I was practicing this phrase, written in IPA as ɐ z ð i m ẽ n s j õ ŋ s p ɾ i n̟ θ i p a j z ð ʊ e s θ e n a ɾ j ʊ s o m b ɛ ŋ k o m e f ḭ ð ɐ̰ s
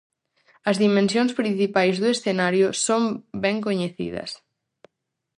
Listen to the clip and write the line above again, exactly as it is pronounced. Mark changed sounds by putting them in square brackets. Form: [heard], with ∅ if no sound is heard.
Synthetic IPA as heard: ɐ z ð i m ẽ n s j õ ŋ s p ɾ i n̟ θ i p a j z ð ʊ e s θ e n a ɾ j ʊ s o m b ɛ ŋ k o [ɲ] e [θ] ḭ ð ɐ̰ s